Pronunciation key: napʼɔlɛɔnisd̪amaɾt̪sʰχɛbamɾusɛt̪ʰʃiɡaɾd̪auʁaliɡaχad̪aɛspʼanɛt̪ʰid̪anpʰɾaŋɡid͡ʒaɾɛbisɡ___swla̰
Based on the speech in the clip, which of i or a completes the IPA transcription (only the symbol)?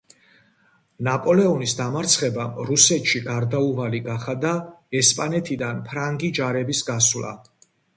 a